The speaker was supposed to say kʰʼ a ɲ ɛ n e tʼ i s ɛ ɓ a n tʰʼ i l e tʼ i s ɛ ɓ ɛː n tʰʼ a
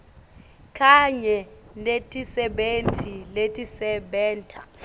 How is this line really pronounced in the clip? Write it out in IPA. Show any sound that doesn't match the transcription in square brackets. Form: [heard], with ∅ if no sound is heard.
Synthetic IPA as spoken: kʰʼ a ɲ ɛ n e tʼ i s ɛ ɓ [e] n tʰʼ i l e tʼ i s ɛ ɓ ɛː n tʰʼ a